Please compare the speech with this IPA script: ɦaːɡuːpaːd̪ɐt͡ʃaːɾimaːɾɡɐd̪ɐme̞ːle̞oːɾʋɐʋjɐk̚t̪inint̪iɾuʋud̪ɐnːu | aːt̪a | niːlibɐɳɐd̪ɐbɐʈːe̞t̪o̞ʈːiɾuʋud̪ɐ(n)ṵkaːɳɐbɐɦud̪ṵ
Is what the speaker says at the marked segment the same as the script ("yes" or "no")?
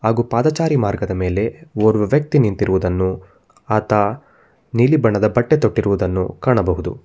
no